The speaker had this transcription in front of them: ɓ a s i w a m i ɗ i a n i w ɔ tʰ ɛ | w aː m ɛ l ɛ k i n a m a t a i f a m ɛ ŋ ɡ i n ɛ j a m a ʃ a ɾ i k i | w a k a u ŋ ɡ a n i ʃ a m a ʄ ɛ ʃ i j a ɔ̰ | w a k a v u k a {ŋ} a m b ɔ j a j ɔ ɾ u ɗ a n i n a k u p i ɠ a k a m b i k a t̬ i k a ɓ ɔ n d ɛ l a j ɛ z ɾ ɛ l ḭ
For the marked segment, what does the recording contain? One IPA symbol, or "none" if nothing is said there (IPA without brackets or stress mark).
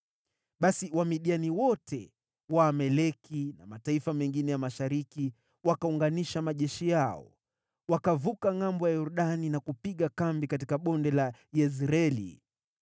ŋ